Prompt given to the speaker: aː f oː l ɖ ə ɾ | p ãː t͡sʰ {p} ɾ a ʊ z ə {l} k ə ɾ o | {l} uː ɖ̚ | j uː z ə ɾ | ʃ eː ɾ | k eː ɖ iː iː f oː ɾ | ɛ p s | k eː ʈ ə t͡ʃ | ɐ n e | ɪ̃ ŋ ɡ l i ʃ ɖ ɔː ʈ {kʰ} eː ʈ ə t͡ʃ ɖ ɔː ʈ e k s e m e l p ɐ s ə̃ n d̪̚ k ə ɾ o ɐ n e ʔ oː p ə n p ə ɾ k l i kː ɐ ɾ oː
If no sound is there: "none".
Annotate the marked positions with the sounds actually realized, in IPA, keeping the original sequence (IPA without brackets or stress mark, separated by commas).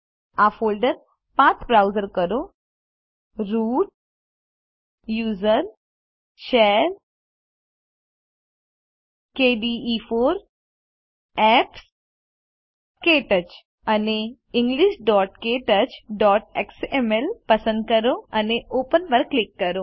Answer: b, ɾ, ɾ, k